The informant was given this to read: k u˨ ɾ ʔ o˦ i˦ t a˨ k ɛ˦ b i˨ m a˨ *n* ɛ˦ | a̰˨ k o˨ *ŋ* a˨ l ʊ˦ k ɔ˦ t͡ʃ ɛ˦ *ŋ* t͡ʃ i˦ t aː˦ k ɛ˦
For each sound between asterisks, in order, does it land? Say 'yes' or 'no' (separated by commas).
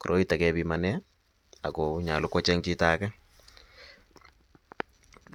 yes, no, yes